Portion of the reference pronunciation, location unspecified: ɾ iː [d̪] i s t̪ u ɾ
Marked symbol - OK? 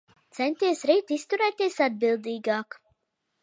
no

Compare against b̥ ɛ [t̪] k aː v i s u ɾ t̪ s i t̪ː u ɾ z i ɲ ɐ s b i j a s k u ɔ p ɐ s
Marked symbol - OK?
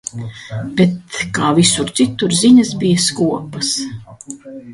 yes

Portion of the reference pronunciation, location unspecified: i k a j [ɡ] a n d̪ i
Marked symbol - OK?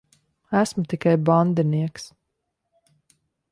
no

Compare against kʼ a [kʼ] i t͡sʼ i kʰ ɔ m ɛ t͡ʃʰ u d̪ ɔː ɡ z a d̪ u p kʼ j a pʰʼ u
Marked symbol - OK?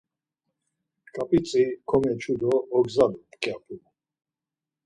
no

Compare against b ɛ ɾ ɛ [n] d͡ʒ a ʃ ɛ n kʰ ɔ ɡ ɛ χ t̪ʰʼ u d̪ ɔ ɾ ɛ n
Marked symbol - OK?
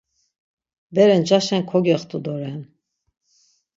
yes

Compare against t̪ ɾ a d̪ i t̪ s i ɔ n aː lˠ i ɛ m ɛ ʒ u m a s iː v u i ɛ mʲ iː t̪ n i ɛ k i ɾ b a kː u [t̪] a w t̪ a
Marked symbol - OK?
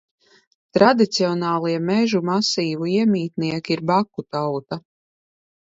yes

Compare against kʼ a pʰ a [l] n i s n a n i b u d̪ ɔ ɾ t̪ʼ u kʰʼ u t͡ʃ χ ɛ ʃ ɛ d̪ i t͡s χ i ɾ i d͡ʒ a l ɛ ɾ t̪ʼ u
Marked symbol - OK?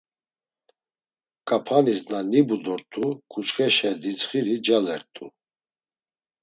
no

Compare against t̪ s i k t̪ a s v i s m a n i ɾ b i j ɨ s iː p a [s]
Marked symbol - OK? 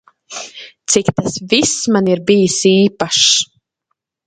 no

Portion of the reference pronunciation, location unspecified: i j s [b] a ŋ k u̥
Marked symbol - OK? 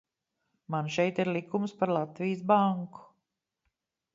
yes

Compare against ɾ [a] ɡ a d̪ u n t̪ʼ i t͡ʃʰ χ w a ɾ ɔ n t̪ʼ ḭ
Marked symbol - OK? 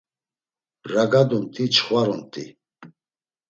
yes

